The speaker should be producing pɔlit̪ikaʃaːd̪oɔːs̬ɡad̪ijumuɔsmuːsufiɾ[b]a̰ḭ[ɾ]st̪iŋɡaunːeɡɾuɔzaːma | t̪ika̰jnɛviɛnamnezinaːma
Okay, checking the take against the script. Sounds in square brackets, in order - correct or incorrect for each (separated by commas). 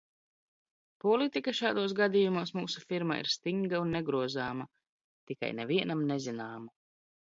incorrect, correct